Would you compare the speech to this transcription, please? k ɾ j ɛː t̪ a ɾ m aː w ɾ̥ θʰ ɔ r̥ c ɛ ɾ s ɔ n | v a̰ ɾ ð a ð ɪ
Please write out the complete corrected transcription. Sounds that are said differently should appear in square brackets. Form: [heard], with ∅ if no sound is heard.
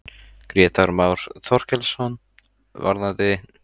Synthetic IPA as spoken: k ɾ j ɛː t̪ a ɾ m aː w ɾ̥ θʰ ɔ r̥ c ɛ [l] s ɔ n | v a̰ ɾ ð a ð ɪ